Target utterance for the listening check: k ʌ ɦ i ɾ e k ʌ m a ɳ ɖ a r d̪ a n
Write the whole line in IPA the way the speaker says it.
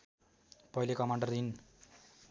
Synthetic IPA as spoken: p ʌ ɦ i l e k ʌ m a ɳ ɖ ʌ r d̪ i n